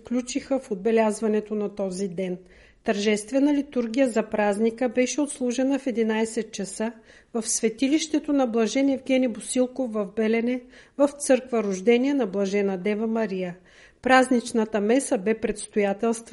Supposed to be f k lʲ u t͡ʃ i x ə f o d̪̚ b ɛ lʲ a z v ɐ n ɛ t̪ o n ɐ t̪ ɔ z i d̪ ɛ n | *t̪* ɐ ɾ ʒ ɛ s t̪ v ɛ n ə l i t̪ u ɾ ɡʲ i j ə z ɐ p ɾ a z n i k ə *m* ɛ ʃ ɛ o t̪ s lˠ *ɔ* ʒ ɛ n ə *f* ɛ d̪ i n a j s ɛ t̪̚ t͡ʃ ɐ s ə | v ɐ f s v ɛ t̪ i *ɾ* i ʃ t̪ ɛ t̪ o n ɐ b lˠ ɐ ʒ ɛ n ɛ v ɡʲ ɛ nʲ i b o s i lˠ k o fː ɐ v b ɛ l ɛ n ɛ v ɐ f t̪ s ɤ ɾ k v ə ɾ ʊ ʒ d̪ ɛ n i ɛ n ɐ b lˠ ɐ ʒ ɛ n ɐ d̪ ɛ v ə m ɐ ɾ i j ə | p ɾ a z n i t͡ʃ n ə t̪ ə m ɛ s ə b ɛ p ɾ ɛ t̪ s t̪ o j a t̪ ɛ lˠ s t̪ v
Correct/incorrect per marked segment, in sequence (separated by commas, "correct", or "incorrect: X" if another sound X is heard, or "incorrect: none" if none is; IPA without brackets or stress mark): correct, incorrect: b, incorrect: u, correct, incorrect: l